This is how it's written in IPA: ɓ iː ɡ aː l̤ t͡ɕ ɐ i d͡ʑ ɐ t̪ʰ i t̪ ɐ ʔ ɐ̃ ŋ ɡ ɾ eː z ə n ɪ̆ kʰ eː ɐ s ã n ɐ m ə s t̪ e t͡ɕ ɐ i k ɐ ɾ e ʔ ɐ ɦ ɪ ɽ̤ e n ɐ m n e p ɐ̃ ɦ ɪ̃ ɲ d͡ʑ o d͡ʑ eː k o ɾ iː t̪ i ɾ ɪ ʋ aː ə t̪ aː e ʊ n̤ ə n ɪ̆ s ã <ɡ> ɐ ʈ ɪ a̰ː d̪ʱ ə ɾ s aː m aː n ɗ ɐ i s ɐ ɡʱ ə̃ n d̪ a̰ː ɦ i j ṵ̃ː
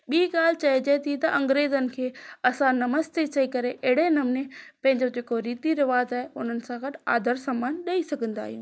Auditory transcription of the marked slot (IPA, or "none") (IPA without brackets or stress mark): ɡ